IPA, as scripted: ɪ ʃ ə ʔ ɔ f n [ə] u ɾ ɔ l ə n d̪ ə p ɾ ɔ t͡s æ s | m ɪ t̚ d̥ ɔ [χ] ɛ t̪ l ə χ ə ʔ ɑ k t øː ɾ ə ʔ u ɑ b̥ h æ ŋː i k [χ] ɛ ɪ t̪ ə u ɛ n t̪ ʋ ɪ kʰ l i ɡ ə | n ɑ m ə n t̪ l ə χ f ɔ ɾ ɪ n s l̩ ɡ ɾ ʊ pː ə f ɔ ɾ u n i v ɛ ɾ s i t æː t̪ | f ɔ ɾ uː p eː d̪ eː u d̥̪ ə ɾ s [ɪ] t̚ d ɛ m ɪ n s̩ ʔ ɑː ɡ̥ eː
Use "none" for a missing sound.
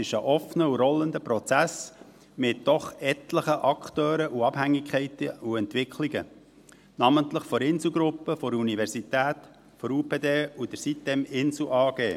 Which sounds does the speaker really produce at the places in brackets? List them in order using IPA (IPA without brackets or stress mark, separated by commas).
ə, χ, χ, i